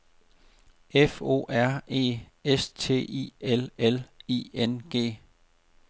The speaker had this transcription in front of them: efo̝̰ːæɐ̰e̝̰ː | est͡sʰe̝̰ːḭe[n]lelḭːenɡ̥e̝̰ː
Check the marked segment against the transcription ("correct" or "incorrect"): incorrect